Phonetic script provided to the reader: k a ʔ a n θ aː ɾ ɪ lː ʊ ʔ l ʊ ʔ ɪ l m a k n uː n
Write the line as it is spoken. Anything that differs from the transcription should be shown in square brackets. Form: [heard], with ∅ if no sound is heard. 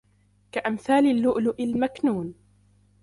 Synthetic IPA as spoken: k a ʔ a [m] θ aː [l] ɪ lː ʊ ʔ l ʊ ʔ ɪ l m a k n uː n